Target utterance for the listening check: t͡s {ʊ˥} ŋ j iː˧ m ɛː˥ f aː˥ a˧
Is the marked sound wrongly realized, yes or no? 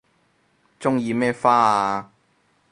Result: no